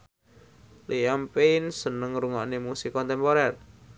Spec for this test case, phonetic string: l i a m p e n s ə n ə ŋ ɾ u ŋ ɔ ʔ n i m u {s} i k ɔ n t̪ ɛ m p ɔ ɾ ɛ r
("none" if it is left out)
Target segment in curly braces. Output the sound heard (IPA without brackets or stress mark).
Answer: s